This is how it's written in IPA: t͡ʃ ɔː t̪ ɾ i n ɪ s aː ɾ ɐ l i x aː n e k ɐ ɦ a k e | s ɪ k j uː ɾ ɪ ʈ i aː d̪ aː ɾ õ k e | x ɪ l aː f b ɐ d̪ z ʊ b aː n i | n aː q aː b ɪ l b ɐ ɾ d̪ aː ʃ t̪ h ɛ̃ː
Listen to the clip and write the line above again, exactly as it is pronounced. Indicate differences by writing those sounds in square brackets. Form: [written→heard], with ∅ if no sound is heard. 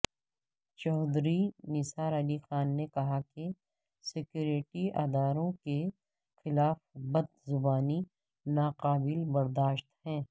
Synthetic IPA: t͡ʃ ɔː [t̪→d̪] ɾ i n ɪ s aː ɾ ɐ l i x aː [n→nː] e k ɐ ɦ a k e | s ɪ k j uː ɾ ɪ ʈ i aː d̪ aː ɾ õ k e | x ɪ l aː f b ɐ d̪ z ʊ b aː n i | n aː q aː b ɪ l b ɐ ɾ d̪ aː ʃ t̪ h ɛ̃ː